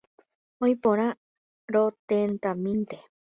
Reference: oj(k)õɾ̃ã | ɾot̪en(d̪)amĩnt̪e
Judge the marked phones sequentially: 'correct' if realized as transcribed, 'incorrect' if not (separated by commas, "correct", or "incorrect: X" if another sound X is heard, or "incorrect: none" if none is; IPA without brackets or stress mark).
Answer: incorrect: p, incorrect: t̪